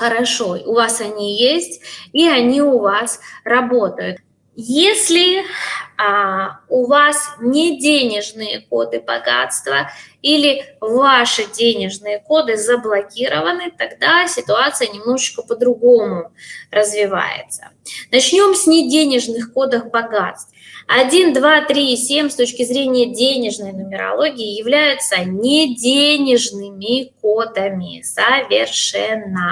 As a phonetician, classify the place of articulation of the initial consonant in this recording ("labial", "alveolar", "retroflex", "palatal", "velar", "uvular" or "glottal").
velar